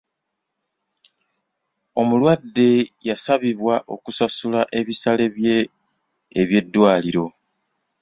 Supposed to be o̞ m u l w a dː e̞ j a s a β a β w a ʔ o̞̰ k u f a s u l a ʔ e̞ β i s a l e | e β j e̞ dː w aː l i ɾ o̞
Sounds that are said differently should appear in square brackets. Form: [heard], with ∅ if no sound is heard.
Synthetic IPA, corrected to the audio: o̞ m u l w a dː e̞ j a s a β [i] β w a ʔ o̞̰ k u [s] a s u l a ʔ e̞ β i s a l e | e β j e̞ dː w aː l i ɾ o̞